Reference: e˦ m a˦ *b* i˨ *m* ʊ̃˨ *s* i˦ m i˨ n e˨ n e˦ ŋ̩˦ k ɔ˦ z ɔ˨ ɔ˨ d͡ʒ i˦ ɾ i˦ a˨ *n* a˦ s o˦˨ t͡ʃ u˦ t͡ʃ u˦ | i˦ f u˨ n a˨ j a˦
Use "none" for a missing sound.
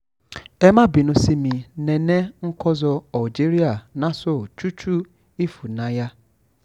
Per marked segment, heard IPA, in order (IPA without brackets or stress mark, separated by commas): b, n, s, n